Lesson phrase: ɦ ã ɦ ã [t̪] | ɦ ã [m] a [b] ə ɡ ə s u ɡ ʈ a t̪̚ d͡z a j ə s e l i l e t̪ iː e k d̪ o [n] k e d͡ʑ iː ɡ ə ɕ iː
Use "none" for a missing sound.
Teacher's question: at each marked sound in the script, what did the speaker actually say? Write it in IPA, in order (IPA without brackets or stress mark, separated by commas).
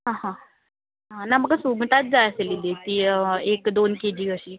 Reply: none, n, m, n